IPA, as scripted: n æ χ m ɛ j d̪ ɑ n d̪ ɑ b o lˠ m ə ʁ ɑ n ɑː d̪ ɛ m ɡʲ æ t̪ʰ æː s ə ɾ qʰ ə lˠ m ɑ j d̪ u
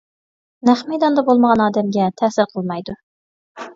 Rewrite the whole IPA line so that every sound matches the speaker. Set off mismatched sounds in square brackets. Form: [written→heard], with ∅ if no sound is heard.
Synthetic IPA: n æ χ m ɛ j d̪ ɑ n d̪ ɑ b o lˠ m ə ʁ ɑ n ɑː d̪ ɛ m ɡʲ [æ→ɛ] t̪ʰ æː s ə ɾ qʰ ə lˠ m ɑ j d̪ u